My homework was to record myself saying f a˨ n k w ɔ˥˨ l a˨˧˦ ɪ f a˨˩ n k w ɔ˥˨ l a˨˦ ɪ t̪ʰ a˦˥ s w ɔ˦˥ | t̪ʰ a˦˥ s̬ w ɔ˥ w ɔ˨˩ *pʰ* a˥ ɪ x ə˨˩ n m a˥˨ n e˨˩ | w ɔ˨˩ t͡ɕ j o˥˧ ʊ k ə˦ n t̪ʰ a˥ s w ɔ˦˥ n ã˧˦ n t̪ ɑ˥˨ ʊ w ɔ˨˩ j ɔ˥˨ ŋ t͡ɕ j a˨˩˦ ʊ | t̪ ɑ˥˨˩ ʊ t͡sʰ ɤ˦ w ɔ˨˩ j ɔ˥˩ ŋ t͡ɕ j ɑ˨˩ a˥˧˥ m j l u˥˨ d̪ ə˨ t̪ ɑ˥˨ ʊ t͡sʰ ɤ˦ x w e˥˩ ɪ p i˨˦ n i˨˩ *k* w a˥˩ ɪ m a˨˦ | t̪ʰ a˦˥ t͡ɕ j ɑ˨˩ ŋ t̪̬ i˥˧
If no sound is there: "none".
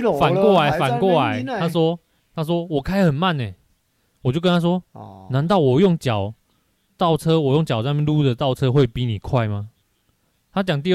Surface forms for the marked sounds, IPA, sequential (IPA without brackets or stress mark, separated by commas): kʰ, kʰ